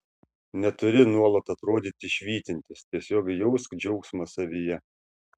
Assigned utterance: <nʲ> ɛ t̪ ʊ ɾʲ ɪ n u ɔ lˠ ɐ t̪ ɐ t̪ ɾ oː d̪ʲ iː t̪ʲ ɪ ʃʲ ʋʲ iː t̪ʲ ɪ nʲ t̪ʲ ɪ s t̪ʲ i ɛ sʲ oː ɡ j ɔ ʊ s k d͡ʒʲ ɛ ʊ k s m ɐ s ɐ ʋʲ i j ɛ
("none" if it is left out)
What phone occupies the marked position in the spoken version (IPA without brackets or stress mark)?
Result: nʲ